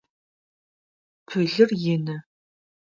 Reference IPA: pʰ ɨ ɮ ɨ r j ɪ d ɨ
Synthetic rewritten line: pʰ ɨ ɮ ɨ r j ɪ n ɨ